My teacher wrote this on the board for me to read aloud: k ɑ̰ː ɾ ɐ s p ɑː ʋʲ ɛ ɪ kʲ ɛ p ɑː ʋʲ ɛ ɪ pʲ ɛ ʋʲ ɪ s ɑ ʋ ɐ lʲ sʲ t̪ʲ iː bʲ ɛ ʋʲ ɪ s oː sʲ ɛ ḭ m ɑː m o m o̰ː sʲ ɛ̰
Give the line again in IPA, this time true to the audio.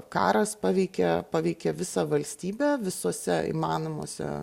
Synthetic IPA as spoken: k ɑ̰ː ɾ ɐ s p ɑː ʋʲ ɛ ɪ kʲ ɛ p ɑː ʋʲ ɛ ɪ kʲ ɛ ʋʲ ɪ s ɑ ʋ ɐ lʲ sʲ t̪ʲ iː bʲ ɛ ʋʲ ɪ s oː sʲ ɛ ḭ m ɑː n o m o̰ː sʲ ɛ̰